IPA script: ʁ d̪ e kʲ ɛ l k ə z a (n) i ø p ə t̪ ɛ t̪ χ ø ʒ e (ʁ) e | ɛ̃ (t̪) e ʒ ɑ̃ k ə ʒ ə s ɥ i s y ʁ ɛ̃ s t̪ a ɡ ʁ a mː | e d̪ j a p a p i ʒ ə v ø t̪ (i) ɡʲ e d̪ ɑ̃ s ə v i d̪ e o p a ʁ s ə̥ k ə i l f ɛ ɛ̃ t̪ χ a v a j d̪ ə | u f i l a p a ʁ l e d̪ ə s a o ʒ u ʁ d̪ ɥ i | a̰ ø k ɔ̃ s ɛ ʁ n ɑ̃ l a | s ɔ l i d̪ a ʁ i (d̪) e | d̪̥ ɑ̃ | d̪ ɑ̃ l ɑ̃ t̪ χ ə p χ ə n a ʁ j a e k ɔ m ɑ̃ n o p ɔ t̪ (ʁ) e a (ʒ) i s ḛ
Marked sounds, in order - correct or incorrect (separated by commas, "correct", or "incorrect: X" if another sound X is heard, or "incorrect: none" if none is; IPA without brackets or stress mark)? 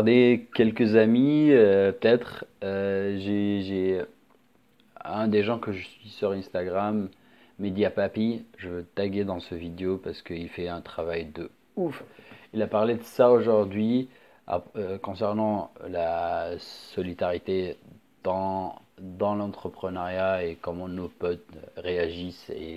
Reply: incorrect: m, incorrect: ʒ, incorrect: d̪, incorrect: a, incorrect: t̪, correct, correct